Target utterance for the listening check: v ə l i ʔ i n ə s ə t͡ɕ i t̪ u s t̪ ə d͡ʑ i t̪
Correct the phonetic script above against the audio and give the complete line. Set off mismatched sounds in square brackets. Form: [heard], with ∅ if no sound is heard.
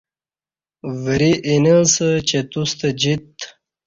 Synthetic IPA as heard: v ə [ɾ] i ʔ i n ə s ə t͡ɕ [e] t̪ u s t̪ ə d͡ʑ i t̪

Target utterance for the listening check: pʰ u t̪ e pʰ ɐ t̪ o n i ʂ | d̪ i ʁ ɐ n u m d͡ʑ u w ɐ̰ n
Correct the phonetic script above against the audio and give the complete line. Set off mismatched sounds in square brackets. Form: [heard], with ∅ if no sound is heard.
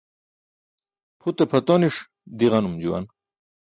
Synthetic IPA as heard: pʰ u t̪ e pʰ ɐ t̪ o n i ʂ | d̪ i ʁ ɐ n u m d͡ʑ u w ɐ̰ n

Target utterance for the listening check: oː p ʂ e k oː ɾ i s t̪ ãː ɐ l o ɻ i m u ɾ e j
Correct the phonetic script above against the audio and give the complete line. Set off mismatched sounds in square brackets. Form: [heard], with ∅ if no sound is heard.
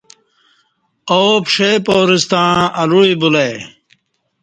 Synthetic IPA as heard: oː p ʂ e [p] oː ɾ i s t̪ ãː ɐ l [u] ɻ i [b] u [l] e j

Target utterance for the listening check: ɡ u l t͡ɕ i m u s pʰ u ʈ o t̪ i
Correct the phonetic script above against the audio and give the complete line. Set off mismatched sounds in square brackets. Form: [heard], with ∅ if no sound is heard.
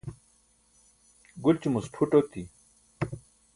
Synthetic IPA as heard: ɡ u l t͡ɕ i m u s [ʈʰ] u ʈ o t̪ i

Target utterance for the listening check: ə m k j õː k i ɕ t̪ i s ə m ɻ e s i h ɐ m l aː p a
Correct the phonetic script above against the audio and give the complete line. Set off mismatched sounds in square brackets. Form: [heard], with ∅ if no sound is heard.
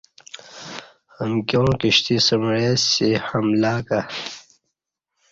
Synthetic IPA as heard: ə m k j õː k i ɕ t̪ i s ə m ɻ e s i h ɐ m l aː [k] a

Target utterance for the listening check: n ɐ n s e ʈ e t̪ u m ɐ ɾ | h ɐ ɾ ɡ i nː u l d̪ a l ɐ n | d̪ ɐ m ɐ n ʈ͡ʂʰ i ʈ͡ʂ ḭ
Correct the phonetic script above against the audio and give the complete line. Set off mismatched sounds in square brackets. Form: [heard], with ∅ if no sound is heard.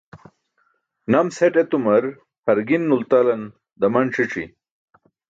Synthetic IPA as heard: n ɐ [m] s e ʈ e t̪ u m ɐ ɾ | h ɐ ɾ ɡ i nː u l [t̪] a l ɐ n | d̪ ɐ m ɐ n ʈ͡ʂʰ i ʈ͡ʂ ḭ

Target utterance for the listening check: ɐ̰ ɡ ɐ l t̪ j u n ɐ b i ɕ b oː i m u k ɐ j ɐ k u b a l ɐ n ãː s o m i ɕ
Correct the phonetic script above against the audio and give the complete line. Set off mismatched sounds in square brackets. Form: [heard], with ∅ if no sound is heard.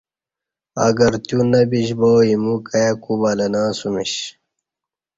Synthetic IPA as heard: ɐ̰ ɡ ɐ [ɾ] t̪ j u n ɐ b i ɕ b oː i m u k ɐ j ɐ k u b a l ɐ n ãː s [u] m i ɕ

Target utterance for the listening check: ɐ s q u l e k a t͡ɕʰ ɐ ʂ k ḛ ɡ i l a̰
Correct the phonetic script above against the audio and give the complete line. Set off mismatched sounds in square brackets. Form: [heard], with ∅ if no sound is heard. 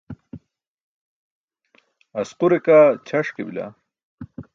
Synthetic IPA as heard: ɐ s q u [ɾ] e k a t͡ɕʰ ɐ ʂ k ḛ [b] i l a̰

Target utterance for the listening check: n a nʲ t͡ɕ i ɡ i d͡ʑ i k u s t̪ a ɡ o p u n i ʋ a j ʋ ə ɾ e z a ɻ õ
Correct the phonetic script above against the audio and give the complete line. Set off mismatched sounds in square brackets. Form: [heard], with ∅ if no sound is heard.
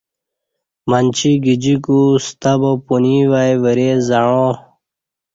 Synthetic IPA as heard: [m] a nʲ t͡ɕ i ɡ i d͡ʑ i k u s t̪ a [b] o p u n i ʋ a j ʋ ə ɾ e z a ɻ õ

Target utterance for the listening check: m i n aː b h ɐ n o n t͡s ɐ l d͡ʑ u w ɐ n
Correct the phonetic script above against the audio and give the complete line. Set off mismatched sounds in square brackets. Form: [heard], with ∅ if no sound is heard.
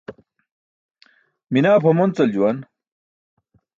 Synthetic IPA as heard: m i n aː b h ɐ [m] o n t͡s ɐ l d͡ʑ u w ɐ n

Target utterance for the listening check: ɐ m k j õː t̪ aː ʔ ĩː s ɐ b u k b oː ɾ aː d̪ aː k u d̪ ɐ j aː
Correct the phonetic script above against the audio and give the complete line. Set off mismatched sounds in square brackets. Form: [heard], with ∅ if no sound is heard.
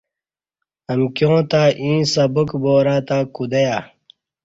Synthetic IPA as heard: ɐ m k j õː t̪ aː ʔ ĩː s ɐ b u k b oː ɾ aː [t̪] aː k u d̪ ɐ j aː

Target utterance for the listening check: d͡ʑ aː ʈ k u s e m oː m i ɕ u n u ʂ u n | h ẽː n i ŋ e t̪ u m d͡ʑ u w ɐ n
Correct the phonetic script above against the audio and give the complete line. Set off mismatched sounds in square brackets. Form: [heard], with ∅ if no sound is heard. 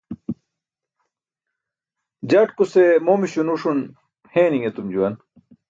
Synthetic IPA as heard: d͡ʑ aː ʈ k u s e m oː m i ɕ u n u ʂ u n | h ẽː n i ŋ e t̪ u m d͡ʑ u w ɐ n

